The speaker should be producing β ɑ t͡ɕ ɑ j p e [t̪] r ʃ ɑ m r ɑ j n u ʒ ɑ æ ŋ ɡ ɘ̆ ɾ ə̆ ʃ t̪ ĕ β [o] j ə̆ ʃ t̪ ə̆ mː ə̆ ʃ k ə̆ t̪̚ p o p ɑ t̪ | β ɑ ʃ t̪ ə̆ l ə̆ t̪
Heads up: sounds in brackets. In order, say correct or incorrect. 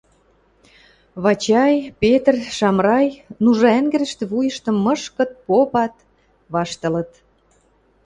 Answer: correct, incorrect

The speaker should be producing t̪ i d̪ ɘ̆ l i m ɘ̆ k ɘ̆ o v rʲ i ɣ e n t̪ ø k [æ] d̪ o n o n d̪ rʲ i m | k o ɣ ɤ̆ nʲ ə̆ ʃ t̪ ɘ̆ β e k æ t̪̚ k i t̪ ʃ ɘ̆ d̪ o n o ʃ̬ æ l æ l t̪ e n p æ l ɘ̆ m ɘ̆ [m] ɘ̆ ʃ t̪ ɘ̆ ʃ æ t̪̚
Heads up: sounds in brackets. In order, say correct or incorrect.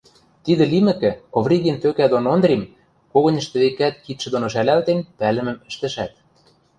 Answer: correct, correct

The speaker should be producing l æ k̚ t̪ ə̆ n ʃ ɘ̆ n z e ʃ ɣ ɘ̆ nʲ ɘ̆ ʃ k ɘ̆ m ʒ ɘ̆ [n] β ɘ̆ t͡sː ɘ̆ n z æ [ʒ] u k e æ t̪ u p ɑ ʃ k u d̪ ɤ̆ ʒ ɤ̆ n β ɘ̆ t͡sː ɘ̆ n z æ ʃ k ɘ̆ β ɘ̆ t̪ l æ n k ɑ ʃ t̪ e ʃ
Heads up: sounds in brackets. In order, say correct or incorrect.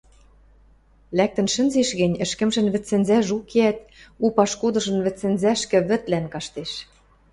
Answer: correct, correct

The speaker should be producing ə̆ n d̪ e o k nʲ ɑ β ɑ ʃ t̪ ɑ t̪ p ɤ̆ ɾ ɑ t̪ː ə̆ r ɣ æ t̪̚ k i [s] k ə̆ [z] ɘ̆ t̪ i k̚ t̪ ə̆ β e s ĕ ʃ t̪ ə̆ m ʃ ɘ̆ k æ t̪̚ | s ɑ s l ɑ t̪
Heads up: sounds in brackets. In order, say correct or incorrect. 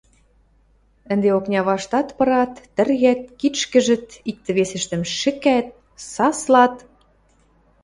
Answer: incorrect, incorrect

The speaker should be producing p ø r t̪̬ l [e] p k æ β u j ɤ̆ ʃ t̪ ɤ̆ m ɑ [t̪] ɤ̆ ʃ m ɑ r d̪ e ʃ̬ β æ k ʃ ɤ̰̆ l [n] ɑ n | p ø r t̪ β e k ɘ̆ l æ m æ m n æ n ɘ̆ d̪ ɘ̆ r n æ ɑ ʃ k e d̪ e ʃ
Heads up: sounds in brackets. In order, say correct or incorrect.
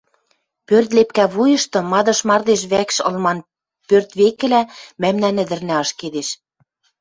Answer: correct, incorrect, incorrect

